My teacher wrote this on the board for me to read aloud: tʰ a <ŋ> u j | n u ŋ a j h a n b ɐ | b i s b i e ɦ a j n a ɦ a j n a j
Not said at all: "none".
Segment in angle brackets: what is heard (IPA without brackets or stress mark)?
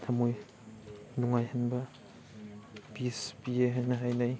m